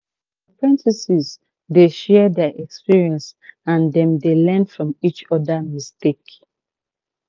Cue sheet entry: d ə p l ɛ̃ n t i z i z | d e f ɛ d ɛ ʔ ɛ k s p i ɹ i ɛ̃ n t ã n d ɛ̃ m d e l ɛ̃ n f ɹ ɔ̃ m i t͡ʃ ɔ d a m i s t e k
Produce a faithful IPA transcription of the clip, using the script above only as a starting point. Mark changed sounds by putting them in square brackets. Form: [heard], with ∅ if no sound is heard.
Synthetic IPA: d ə p [ɹ] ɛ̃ n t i [s] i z | d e [ʃ] ɛ d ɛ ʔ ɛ k s p i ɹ i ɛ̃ n [s] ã n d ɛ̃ m d e l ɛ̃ n f ɹ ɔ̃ m i t͡ʃ ɔ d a m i s t e k